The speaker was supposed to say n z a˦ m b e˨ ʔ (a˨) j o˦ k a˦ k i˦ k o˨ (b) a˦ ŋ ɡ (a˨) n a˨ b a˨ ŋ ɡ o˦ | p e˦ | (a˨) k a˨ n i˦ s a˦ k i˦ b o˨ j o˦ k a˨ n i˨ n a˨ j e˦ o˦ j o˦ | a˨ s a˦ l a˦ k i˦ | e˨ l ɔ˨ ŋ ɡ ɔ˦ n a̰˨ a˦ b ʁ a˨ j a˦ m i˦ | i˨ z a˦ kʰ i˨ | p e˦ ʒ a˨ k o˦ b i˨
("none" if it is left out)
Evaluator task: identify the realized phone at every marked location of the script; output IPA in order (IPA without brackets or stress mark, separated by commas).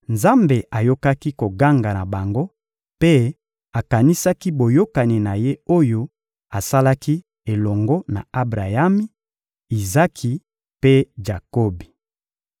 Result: a˨, ɡ, a˨, a˨